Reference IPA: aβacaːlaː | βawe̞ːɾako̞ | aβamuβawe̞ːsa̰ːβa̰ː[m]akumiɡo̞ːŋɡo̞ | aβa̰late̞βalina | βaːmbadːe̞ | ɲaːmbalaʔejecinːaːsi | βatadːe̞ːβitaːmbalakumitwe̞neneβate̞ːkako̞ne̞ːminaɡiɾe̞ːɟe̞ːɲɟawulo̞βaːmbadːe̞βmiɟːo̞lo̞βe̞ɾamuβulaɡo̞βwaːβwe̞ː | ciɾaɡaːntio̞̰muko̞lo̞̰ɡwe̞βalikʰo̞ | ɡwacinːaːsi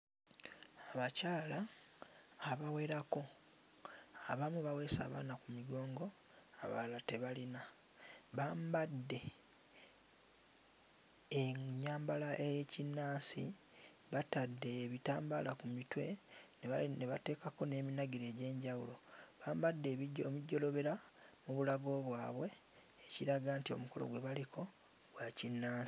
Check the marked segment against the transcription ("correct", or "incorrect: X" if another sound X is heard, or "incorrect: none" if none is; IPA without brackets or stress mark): incorrect: n